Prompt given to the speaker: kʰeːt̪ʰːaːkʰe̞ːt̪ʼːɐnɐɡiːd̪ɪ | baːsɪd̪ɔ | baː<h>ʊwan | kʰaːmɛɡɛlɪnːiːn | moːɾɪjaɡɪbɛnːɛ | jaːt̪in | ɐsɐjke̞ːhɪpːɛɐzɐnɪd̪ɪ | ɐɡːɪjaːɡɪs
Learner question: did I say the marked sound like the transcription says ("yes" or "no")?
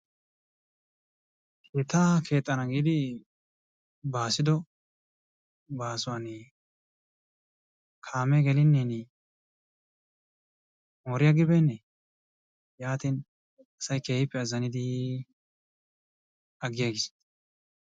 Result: no